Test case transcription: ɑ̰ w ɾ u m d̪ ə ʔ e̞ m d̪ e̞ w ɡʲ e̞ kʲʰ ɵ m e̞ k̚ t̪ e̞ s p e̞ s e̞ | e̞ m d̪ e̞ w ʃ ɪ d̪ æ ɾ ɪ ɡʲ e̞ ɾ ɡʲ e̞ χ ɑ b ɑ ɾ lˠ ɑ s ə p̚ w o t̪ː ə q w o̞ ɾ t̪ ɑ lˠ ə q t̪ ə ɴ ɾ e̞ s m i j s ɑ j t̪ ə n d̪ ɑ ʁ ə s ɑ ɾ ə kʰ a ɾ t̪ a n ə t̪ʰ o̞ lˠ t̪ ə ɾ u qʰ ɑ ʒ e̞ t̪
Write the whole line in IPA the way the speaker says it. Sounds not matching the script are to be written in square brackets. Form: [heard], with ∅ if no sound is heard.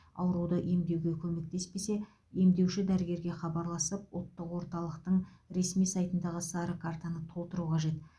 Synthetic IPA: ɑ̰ w ɾ u [∅] d̪ ə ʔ e̞ m d̪ e̞ w ɡʲ e̞ kʲʰ ɵ m e̞ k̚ t̪ e̞ s p e̞ s e̞ | e̞ m d̪ e̞ w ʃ ɪ d̪ æ ɾ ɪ ɡʲ e̞ ɾ ɡʲ e̞ χ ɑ b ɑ ɾ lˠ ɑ s ə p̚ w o t̪ː ə q w o̞ ɾ t̪ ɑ lˠ ə q t̪ ə ɴ ɾ e̞ s m i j s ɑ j t̪ ə n d̪ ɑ ʁ ə s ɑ ɾ ə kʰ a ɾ t̪ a n ə t̪ʰ o̞ lˠ t̪ ə ɾ u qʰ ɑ ʒ e̞ t̪

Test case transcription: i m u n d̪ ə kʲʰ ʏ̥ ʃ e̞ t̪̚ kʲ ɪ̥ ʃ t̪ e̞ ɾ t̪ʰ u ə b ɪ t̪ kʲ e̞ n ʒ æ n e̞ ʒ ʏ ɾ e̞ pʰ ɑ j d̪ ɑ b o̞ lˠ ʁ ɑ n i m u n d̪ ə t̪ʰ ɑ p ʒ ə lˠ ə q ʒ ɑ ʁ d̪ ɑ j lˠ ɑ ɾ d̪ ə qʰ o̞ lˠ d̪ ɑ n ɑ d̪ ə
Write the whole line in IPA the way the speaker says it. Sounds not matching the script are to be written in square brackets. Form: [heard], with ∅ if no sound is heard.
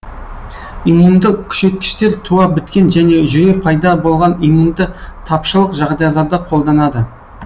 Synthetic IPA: i m u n d̪ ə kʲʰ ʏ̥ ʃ e̞ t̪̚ kʲ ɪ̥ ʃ t̪ e̞ ɾ t̪ʰ u [ɑ] b ɪ t̪ kʲ e̞ n ʒ æ n e̞ ʒ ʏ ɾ e̞ pʰ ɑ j d̪ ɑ b o̞ lˠ ʁ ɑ n i m u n d̪ ə t̪ʰ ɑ p [ʃ] ə lˠ ə q ʒ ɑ ʁ d̪ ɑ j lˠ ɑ ɾ d̪ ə qʰ o̞ lˠ d̪ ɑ n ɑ d̪ ə

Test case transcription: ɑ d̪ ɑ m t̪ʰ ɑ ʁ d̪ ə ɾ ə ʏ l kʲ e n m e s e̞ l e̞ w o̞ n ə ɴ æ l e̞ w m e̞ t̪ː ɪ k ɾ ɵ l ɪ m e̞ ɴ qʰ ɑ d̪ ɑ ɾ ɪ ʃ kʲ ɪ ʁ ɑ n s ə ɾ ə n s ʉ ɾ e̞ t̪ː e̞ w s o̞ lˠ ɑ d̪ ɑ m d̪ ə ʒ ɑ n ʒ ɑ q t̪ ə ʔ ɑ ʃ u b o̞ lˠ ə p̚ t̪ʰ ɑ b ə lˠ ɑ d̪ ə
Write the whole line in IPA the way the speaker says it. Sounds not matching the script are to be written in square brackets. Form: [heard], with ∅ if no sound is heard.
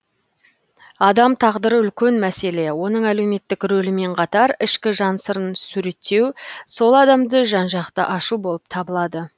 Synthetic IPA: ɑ d̪ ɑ m t̪ʰ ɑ ʁ d̪ ə ɾ ə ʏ l kʲ e n m [æ] s e̞ l e̞ w o̞ n ə ɴ æ l e̞ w m e̞ t̪ː ɪ k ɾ ɵ l ɪ m e̞ ɴ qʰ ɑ [t̪] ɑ ɾ ɪ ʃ kʲ ɪ [ʒ] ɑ n s ə ɾ ə n s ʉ ɾ e̞ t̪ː e̞ w s o̞ lˠ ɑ d̪ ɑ m d̪ ə ʒ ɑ n ʒ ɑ q t̪ ə ʔ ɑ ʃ u b o̞ lˠ ə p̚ t̪ʰ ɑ b ə lˠ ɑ d̪ ə

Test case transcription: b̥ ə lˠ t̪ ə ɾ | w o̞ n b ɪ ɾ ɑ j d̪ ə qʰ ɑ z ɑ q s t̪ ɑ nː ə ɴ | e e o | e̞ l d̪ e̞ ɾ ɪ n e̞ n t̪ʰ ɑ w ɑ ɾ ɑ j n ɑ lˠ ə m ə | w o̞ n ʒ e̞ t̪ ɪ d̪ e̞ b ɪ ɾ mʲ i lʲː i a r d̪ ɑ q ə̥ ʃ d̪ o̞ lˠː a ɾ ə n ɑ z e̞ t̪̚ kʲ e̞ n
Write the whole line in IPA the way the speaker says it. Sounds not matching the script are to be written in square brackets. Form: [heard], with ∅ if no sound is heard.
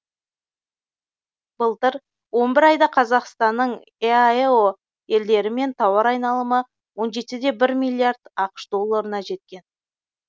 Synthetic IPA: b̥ ə lˠ t̪ ə ɾ | w o̞ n b ɪ ɾ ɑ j d̪ [ɑ] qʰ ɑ z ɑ q s t̪ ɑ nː ə ɴ | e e o | e̞ l d̪ e̞ ɾ ɪ [m] e̞ n t̪ʰ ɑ w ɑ ɾ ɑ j n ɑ lˠ ə m ə | w o̞ n ʒ e̞ t̪ ɪ d̪ e̞ b ɪ ɾ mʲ i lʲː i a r d̪ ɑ q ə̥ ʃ d̪ o̞ lˠː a ɾ ə n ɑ [ʒ] e̞ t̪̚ kʲ e̞ n

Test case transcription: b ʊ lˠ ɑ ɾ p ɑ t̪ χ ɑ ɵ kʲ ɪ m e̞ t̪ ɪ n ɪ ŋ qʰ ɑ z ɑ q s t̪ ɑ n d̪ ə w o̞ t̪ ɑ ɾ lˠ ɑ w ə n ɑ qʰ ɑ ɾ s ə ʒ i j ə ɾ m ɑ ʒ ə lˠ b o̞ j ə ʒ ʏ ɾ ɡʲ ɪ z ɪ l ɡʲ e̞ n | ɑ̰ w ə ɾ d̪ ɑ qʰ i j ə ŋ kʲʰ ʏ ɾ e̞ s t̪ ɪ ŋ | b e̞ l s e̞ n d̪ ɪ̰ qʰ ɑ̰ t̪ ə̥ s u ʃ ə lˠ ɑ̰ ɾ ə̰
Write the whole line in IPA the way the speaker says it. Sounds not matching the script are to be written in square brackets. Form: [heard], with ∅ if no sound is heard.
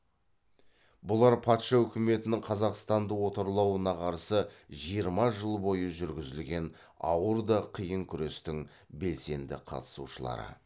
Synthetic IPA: b ʊ lˠ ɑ ɾ [pʰ] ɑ t̪ [ʃ] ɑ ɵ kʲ ɪ m e̞ t̪ ɪ n ɪ ŋ qʰ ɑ z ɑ q s t̪ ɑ n d̪ ə w o̞ t̪ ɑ ɾ lˠ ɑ w ə n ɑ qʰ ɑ ɾ s ə ʒ i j ə ɾ m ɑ ʒ ə lˠ b o̞ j ə ʒ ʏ ɾ ɡʲ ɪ z ɪ l ɡʲ e̞ n | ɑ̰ w ə ɾ d̪ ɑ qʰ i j ə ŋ kʲʰ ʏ ɾ e̞ s t̪ ɪ ŋ | b e̞ l s e̞ n d̪ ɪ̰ qʰ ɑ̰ t̪ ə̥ s u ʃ ə lˠ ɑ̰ ɾ ə̰

